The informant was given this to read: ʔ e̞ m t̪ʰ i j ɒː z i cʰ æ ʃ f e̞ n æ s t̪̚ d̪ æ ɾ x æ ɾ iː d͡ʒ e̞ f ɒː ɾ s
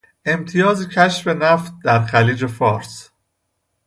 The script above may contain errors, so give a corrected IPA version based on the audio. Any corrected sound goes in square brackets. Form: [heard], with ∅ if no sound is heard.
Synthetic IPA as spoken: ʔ e̞ m t̪ʰ i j ɒː z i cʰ æ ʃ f e̞ n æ [f] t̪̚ d̪ æ ɾ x æ [l] iː d͡ʒ e̞ f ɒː ɾ s